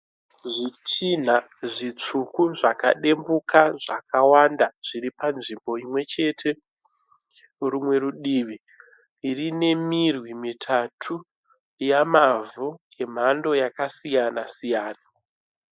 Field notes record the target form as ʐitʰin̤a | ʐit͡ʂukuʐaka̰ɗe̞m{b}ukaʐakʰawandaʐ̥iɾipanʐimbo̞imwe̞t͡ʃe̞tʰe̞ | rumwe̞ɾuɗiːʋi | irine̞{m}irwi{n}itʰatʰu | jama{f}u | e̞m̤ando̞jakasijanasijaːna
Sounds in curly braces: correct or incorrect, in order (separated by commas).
correct, correct, incorrect, incorrect